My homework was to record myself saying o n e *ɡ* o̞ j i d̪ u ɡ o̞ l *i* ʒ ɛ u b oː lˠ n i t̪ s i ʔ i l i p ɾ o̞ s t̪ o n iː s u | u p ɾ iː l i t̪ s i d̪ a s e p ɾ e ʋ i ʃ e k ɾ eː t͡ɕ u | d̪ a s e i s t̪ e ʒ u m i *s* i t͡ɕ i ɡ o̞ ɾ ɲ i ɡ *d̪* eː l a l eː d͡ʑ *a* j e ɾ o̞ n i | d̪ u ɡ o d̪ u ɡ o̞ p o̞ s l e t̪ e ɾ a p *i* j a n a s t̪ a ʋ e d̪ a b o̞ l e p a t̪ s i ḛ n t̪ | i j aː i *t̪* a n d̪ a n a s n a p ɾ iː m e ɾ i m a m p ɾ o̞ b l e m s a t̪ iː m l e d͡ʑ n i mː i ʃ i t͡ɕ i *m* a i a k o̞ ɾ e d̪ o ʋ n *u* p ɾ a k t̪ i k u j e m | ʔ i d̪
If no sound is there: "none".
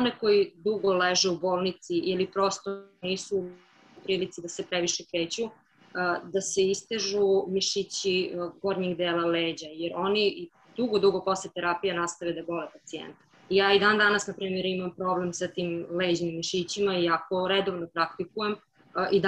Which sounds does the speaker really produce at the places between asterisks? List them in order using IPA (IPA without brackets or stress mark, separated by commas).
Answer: k, e, ʃ, d̪, a, i, d̪, m, o